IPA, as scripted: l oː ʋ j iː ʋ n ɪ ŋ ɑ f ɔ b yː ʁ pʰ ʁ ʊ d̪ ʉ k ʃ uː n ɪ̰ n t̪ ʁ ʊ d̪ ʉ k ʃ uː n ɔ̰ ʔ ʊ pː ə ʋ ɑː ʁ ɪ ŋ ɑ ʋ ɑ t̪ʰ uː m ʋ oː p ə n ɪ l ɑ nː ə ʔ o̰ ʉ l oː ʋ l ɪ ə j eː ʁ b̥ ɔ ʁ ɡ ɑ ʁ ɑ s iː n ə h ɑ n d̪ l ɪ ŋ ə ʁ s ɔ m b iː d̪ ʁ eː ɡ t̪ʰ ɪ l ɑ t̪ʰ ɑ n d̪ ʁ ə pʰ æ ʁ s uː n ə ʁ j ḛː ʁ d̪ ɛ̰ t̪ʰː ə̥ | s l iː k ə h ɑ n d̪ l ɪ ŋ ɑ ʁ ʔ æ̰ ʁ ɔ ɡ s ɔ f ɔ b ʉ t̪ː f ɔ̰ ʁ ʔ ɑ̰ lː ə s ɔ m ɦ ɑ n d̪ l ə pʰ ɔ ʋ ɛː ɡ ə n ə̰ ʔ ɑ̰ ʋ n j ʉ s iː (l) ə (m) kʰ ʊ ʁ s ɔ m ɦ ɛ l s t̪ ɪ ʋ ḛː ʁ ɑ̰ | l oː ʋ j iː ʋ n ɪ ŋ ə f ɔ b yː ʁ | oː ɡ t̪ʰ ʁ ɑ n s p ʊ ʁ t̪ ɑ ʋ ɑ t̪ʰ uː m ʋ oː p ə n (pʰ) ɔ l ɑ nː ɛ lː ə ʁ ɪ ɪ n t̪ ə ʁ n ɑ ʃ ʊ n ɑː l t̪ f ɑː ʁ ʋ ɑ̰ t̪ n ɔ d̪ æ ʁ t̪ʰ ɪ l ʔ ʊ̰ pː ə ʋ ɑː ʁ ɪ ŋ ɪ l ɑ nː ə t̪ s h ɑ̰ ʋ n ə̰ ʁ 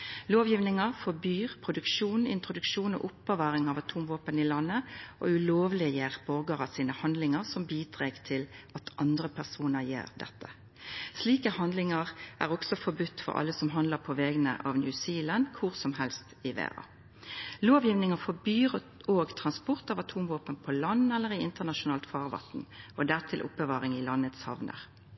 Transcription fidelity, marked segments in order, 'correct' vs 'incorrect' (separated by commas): correct, incorrect, correct